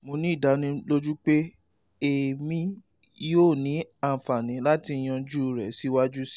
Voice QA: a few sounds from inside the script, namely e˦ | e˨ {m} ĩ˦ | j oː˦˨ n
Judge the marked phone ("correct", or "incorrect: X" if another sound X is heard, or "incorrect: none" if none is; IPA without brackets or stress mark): correct